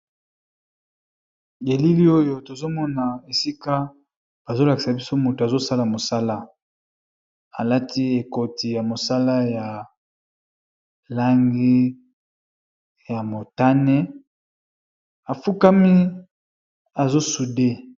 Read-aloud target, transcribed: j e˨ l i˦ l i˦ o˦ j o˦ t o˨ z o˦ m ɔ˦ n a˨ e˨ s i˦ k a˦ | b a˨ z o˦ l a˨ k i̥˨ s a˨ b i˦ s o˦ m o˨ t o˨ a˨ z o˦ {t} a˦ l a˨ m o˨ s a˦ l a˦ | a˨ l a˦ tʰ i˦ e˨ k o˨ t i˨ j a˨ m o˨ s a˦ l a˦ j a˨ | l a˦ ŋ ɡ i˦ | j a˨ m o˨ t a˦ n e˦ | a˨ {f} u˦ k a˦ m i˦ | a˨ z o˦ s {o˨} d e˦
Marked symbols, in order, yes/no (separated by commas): no, yes, no